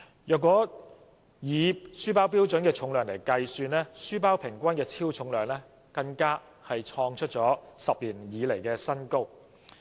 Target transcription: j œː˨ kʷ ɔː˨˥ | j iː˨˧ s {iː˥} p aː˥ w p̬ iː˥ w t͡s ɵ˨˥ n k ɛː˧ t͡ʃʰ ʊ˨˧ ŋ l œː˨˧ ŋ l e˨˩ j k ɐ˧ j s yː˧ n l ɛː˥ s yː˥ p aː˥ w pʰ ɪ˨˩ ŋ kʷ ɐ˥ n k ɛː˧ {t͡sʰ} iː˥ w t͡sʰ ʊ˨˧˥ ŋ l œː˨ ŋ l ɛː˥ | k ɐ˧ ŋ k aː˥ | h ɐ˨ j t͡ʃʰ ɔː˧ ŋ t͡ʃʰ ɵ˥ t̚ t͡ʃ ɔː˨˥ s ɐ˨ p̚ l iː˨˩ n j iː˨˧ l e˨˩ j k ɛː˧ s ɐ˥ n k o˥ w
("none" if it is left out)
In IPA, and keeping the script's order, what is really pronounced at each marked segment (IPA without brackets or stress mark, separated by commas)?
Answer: yː˥, t͡sʰ